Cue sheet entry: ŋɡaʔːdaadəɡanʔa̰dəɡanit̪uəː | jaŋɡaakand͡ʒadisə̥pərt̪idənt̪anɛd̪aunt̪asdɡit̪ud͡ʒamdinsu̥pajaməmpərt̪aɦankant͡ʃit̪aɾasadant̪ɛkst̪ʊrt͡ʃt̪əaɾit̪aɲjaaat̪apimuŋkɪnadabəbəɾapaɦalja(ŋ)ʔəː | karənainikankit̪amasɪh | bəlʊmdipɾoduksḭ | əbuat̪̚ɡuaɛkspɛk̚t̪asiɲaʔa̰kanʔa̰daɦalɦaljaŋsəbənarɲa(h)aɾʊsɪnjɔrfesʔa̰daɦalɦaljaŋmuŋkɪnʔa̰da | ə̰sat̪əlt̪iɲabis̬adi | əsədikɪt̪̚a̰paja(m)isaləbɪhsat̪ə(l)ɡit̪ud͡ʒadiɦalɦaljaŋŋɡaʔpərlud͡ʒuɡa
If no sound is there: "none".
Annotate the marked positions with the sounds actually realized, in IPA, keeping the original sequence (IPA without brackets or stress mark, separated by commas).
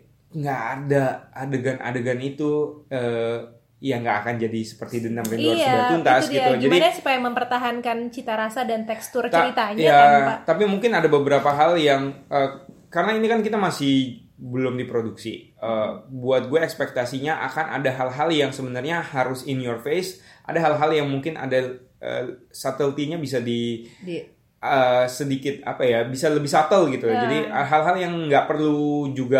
ŋ, h, b, l